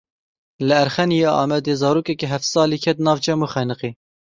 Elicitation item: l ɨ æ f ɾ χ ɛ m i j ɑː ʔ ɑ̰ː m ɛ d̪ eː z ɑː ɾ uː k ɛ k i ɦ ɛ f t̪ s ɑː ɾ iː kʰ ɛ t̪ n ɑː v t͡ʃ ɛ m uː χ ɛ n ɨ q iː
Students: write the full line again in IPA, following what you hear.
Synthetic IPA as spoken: l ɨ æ ɾ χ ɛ n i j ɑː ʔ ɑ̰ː m ɛ d̪ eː z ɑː ɾ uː k ɛ k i ɦ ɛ f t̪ s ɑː l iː kʰ ɛ t̪ n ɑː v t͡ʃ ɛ m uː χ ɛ n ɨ q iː